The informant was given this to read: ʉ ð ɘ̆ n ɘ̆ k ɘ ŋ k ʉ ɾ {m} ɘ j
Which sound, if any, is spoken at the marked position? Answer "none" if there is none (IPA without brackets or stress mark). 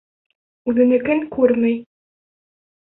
m